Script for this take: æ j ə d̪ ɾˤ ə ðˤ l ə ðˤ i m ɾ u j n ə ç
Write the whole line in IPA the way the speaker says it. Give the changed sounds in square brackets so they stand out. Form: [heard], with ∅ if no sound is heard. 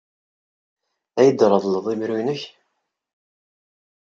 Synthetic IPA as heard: æ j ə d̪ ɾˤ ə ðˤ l ə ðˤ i m ɾ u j n ə ç